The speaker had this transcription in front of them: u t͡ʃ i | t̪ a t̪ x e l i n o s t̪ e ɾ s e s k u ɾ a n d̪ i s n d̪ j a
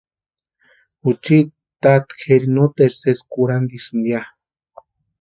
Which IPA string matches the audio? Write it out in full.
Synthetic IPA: u t͡ʃ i | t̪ a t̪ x e ɾ i n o t̪ e ɾ s e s k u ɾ a n d̪ i s n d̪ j a